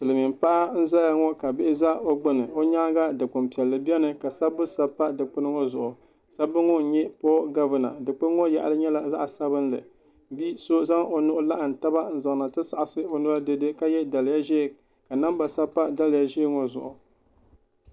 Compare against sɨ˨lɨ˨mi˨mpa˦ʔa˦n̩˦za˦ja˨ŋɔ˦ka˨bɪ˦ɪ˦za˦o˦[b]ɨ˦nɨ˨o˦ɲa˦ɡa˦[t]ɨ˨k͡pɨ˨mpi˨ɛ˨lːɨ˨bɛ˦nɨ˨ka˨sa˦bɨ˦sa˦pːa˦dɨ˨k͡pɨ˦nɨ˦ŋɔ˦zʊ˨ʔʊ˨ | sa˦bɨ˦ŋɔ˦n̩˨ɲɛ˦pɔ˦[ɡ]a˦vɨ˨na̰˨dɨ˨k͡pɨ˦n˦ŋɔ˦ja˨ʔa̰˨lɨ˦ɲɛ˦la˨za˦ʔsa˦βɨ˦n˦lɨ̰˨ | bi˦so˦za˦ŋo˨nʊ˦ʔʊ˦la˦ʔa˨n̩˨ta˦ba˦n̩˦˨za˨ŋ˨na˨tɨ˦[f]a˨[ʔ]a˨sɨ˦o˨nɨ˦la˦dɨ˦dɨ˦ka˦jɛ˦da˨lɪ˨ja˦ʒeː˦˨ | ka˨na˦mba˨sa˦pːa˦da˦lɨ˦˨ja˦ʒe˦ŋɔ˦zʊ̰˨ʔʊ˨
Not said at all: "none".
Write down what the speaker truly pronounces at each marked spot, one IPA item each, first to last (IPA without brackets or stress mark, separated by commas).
ɡ͡b, d, ɡ, s, ʔ